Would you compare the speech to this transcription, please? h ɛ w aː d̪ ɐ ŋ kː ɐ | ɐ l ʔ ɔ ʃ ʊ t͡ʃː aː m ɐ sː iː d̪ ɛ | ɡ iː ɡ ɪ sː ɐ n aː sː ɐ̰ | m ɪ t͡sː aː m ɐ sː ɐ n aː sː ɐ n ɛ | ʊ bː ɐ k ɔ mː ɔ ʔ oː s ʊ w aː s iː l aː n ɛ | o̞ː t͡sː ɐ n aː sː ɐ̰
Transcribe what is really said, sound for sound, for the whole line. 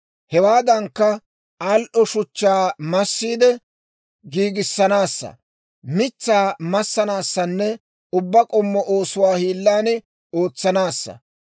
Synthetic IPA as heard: h ɛ w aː d̪ ɐ ŋ kː ɐ | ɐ l ʔ ɔ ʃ ʊ t͡ʃː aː m ɐ sː iː d̪ ɛ | ɡ iː ɡ ɪ sː ɐ n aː sː ɐ̰ | m ɪ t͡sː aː m ɐ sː ɐ n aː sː ɐ nː ɛ | ʊ bː ɐ kʼ ɔ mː ɔ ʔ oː s ʊ w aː h iː lː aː n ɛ | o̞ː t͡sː ɐ n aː sː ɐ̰